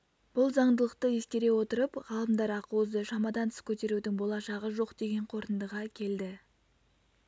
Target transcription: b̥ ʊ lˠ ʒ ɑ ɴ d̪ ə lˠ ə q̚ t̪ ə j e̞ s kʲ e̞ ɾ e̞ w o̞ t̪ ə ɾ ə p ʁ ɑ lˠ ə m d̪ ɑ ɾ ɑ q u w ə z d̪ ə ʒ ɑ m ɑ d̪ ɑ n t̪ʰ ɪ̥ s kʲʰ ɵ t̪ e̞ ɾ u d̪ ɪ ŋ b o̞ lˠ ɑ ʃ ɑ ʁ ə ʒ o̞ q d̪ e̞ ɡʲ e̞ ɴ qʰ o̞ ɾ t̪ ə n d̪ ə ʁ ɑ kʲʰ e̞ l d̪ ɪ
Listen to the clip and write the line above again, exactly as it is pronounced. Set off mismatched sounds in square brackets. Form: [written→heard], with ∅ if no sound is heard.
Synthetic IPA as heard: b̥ ʊ lˠ [ʒ→z] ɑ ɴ d̪ ə lˠ ə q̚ t̪ ə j e̞ s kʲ e̞ ɾ e̞ w o̞ t̪ ə ɾ ə p ʁ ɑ lˠ ə m d̪ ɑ ɾ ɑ q u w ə z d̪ ə [ʒ→ʃ] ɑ m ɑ d̪ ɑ n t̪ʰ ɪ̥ s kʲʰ ɵ t̪ e̞ ɾ u d̪ ɪ ŋ b o̞ lˠ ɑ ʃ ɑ ʁ ə ʒ o̞ q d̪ e̞ ɡʲ e̞ ɴ qʰ o̞ ɾ t̪ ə n d̪ ə ʁ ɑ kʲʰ e̞ l d̪ ɪ